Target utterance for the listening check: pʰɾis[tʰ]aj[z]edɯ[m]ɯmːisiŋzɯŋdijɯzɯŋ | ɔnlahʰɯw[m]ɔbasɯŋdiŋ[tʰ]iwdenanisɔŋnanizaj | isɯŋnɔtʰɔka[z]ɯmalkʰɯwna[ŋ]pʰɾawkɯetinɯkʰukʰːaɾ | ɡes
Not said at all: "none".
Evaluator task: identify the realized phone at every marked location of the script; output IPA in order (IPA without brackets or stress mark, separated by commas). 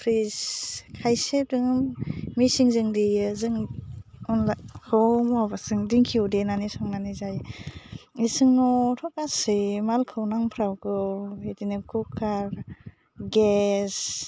kʰ, s, ŋ, m, kʰ, s, ŋ